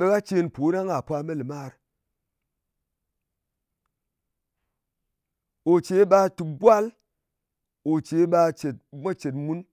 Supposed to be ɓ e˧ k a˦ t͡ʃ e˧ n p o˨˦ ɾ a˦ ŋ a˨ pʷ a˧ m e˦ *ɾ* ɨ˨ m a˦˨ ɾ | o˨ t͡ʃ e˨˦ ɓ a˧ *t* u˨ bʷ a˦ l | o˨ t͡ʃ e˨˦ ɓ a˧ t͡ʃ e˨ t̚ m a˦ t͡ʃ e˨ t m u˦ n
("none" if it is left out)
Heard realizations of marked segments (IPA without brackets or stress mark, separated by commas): l, t